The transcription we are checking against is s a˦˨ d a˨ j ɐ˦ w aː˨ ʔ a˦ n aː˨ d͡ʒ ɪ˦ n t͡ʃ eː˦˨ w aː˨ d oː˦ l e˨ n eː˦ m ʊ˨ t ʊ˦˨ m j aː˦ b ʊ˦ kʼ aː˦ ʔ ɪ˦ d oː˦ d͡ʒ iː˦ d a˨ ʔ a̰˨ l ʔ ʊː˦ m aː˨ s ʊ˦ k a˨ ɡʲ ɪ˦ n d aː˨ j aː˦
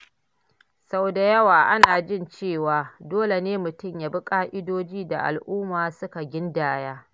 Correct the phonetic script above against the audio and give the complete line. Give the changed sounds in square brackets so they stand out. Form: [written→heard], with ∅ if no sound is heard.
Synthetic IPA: s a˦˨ d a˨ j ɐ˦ w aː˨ ʔ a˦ n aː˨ d͡ʒ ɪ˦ n t͡ʃ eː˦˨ w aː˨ d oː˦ l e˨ n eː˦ m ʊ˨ t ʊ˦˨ m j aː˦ b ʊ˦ kʼ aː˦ ʔ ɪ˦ d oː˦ d͡ʒ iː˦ d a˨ ʔ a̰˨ l ʔ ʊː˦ m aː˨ s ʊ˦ k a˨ ɡʲ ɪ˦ n d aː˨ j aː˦